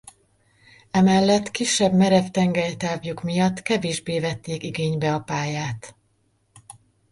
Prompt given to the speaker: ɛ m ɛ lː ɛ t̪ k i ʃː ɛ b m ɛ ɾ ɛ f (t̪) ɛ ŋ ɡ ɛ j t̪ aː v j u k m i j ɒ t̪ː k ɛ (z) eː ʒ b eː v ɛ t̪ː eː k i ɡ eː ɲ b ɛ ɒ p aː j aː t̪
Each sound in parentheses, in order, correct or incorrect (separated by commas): correct, incorrect